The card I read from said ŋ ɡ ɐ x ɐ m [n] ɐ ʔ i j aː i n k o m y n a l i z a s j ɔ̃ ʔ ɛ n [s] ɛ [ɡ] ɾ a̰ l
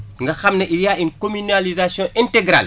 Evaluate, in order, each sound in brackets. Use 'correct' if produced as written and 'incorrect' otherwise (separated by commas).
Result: correct, incorrect, correct